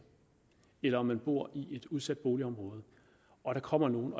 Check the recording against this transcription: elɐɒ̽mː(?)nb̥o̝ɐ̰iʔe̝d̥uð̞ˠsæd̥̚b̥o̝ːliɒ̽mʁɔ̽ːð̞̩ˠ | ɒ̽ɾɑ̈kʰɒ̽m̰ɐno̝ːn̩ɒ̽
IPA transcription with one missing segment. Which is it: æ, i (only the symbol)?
æ